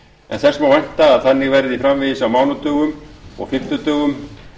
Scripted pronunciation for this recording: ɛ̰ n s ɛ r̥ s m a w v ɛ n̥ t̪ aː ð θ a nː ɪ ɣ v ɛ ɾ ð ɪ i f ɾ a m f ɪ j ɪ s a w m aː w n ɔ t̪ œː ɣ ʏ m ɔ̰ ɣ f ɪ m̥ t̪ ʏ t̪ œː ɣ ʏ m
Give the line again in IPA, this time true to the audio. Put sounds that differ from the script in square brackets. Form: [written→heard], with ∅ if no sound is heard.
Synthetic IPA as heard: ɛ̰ n [s→θ] ɛ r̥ s m a w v ɛ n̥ t̪ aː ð θ a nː ɪ ɣ v ɛ ɾ ð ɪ i f ɾ a m [f→v] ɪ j ɪ s a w m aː w n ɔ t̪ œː ɣ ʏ m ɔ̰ ɣ f ɪ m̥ t̪ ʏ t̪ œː ɣ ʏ m

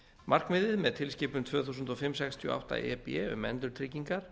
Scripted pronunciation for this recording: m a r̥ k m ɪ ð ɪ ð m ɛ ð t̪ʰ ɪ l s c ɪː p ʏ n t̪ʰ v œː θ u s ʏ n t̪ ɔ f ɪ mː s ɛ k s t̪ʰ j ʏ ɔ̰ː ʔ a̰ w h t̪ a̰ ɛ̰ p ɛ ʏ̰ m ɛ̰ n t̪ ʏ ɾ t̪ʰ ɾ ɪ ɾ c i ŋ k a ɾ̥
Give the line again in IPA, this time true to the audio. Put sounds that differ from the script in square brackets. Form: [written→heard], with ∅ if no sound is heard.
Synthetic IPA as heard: m a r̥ k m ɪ ð ɪ ð m ɛ ð t̪ʰ ɪ l s c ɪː p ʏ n t̪ʰ v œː θ u s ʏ n t̪ ɔ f ɪ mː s ɛ k s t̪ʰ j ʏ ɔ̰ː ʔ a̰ w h t̪ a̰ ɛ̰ p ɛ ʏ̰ m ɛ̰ n t̪ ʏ ɾ t̪ʰ ɾ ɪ [ɾ→∅] c i ŋ k a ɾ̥

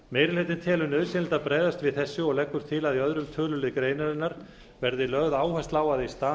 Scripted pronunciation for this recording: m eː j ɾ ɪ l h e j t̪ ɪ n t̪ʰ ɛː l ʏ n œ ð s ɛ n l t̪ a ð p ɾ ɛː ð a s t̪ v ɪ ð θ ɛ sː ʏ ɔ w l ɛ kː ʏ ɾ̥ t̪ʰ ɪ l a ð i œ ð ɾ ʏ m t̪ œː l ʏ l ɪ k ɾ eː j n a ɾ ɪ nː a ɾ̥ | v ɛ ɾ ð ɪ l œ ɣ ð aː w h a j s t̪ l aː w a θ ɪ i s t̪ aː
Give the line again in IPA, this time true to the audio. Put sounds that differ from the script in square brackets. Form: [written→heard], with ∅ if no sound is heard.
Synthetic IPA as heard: m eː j ɾ ɪ l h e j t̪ ɪ n t̪ʰ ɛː l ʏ n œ ð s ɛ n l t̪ a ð p ɾ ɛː ð a s t̪ v ɪ ð θ ɛ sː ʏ ɔ [w→ɣ] l ɛ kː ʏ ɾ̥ t̪ʰ ɪ l a ð i œ ð ɾ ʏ m [t̪→t̪ʰ] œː l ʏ l ɪ k ɾ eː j n a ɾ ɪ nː a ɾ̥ | v ɛ ɾ ð ɪ l œ ɣ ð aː w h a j s t̪ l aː w a [θ→ð] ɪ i s t̪ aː

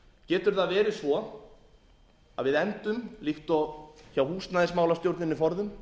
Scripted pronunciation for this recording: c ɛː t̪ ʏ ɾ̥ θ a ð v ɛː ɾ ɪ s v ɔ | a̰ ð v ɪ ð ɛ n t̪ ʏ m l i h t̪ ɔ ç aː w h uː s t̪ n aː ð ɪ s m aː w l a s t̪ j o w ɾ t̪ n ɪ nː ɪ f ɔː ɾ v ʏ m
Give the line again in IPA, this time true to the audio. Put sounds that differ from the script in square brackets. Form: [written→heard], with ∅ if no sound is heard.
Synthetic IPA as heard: c ɛː t̪ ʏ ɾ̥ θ a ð v ɛː ɾ ɪ s v ɔ | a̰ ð v ɪ ð ɛ n t̪ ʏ m l i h t̪ ɔ ç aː w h uː s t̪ n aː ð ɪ s m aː w l a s t̪ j o w ɾ t̪ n ɪ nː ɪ f [ɔː→ɔ] ɾ [v→ð] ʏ m

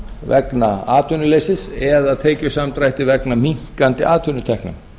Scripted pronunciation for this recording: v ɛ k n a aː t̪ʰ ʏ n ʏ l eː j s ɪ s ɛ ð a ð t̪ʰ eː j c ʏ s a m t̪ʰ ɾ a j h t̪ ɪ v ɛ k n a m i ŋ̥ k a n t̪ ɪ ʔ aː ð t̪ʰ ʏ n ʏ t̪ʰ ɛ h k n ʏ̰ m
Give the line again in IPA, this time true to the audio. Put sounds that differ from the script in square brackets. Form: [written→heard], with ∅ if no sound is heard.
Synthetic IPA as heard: v ɛ k n a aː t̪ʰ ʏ n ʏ l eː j s ɪ s ɛ ð a ð t̪ʰ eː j c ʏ s a m [t̪ʰ→t̪] ɾ a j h t̪ ɪ v ɛ k n a m i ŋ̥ k a n t̪ ɪ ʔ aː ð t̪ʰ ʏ n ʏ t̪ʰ ɛ h k n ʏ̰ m

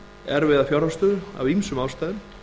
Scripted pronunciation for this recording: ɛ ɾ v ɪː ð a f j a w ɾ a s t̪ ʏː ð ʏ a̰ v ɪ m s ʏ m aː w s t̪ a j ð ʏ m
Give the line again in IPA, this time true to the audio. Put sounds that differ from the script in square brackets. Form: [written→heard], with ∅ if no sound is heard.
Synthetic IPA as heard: ɛ ɾ v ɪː ð a f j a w ɾ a s t̪ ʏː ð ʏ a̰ v [ɪ→i] m s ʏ m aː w s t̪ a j ð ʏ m

